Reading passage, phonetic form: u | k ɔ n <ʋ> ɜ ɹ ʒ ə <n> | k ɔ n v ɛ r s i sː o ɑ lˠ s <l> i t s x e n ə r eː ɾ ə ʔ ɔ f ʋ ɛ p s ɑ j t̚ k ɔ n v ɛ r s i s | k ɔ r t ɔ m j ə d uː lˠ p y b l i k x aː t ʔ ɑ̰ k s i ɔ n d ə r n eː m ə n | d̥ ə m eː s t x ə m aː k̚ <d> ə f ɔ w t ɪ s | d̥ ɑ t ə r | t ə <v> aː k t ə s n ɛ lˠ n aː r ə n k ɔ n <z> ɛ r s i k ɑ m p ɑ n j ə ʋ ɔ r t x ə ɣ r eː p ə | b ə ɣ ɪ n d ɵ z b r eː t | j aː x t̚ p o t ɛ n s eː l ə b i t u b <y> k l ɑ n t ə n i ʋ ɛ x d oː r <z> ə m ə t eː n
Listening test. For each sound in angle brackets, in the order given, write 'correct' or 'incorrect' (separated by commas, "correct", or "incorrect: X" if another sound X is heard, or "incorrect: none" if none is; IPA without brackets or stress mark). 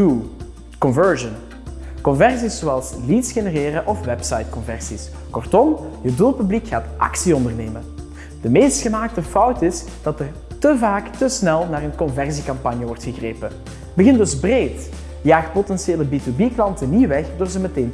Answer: incorrect: v, correct, correct, incorrect: t, correct, incorrect: v, incorrect: i, correct